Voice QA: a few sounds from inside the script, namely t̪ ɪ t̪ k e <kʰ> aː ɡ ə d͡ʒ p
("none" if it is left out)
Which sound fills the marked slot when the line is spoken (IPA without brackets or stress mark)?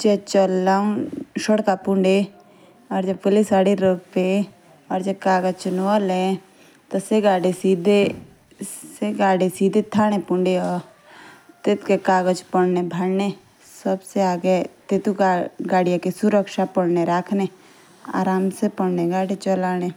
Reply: k